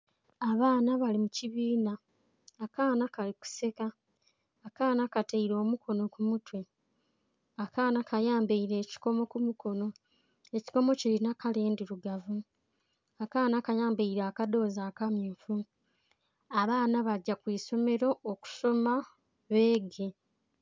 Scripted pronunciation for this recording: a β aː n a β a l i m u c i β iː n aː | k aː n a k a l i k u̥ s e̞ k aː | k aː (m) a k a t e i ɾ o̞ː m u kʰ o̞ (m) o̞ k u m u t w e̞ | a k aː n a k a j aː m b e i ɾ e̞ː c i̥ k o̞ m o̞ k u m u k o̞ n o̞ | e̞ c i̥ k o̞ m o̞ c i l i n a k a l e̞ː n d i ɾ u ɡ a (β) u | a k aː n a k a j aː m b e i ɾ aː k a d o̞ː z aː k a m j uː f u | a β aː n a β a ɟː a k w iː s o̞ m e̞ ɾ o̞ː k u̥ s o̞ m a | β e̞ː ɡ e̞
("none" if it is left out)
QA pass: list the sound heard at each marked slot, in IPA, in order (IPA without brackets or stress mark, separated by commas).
n, n, v